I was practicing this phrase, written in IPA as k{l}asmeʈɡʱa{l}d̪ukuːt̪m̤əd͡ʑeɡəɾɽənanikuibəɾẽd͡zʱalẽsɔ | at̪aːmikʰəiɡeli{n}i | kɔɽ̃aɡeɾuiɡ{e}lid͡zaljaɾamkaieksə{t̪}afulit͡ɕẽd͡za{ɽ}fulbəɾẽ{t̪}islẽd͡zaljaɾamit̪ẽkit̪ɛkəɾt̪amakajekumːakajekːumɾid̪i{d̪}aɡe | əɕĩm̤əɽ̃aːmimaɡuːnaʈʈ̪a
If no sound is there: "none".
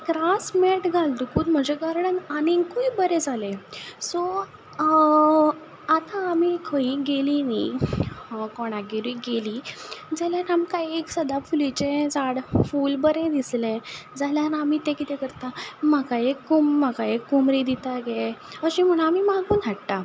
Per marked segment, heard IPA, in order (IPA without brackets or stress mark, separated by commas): ɾ, l, n, e, d̪, ɽ, d̪, t̪